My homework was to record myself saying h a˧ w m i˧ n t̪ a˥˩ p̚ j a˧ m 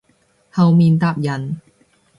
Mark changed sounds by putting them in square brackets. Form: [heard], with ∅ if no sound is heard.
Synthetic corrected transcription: h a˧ w m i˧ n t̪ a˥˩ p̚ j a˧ [n]